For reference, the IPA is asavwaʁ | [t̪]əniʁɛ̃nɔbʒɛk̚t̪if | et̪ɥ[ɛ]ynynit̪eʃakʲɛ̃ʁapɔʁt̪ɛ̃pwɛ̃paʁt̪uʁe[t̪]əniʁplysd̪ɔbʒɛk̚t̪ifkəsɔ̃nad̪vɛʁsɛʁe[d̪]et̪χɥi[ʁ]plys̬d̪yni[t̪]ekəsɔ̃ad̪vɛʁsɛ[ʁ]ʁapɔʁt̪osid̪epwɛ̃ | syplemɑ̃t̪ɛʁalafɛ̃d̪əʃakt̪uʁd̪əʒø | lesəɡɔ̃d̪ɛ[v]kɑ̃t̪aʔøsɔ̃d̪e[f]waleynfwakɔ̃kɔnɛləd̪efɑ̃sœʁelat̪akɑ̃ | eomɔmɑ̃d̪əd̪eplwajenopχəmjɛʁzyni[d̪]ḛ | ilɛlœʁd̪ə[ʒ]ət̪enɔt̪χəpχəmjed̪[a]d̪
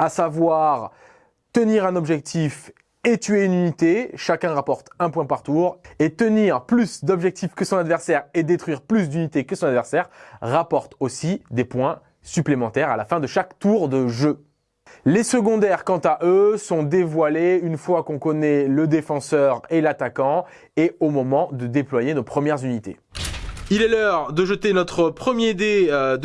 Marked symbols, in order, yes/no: yes, no, yes, yes, yes, yes, yes, no, no, no, yes, no

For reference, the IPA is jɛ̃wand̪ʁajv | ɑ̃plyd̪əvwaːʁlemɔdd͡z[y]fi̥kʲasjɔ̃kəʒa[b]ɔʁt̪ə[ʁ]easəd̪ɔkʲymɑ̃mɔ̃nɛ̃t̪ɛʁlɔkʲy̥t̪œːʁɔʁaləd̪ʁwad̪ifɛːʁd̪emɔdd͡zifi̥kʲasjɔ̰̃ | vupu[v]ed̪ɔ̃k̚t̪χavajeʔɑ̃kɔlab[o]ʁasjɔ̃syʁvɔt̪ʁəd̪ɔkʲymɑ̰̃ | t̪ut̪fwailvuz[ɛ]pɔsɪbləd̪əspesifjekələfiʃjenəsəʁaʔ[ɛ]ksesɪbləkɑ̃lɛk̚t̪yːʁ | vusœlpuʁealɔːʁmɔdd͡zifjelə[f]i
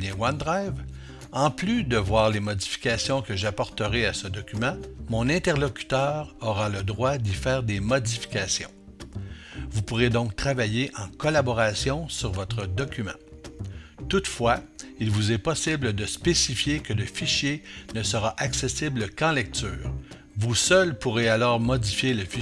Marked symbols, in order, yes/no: no, no, yes, no, no, yes, no, yes

